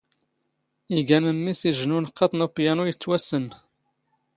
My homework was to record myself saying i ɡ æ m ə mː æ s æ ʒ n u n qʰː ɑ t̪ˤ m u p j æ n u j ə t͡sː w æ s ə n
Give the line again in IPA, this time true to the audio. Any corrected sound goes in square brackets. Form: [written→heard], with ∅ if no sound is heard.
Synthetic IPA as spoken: i ɡ æ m ə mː [æ→i] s [æ→i] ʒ n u n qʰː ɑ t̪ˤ [m→n] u p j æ n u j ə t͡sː w æ s ə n